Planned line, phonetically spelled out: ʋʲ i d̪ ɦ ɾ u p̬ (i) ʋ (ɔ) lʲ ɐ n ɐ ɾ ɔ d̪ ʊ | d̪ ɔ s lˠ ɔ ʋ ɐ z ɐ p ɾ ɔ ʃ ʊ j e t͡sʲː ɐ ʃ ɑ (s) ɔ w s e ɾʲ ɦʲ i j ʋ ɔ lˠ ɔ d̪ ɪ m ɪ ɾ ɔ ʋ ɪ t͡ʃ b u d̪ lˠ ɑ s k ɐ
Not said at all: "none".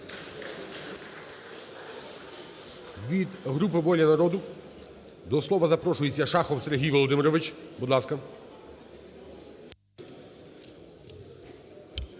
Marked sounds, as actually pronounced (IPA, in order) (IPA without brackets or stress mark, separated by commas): ɪ, ɔ, x